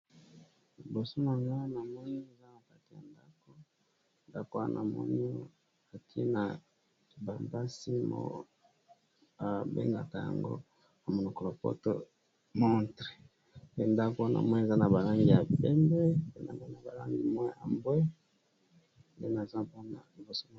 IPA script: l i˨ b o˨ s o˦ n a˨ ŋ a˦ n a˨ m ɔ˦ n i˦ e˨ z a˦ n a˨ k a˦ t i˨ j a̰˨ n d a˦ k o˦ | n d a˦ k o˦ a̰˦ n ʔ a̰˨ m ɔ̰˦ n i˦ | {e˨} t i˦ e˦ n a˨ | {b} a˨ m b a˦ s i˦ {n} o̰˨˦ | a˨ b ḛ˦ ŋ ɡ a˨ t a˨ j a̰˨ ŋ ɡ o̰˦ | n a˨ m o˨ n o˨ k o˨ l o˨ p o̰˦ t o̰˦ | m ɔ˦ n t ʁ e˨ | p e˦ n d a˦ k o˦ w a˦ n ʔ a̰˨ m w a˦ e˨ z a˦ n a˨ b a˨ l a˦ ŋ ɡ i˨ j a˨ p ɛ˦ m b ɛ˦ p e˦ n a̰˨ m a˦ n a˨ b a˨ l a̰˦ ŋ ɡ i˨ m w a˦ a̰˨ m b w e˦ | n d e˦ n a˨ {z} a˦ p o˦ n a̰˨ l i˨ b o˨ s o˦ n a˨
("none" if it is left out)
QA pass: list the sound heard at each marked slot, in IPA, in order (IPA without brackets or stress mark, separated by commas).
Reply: a˨, b, m, z